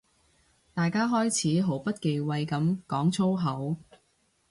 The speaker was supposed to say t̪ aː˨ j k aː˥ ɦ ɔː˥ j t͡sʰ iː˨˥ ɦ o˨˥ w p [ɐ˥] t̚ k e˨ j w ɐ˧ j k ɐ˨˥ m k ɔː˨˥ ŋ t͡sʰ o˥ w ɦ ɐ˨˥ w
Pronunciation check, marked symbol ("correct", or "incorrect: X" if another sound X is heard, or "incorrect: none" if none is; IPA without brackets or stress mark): correct